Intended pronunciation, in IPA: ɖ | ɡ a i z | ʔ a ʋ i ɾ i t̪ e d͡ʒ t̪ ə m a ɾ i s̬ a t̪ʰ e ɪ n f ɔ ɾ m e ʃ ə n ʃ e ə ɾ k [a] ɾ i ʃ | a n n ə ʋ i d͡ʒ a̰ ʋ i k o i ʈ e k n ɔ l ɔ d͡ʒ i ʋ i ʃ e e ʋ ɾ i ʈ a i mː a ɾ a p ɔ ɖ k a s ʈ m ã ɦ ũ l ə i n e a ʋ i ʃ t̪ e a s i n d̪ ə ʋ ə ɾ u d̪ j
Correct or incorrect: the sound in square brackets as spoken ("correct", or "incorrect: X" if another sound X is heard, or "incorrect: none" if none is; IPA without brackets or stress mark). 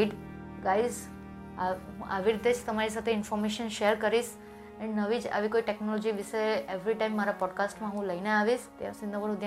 incorrect: ə